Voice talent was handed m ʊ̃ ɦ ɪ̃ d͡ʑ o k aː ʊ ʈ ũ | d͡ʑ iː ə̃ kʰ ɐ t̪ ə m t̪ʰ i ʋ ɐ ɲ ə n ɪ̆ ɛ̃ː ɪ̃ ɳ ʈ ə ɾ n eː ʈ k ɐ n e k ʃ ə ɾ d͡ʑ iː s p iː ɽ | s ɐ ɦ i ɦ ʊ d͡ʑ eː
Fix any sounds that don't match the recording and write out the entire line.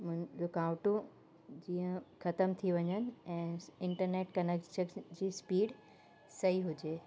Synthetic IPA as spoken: m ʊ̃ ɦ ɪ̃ d͡ʑ o k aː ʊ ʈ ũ | d͡ʑ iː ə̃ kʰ ɐ t̪ ə m t̪ʰ i ʋ ɐ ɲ ə n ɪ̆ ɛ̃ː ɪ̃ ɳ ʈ ə ɾ n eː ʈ k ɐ n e k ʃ ə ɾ d͡ʑ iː s p iː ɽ | s ɐ ɦ i ɦ ʊ d͡ʑ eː